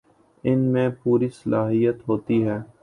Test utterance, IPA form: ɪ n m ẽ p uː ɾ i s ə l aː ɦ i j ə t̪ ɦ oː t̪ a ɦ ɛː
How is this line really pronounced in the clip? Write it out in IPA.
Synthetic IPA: ɪ n m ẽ p uː ɾ i s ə l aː ɦ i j ə t̪ ɦ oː t̪ i ɦ ɛː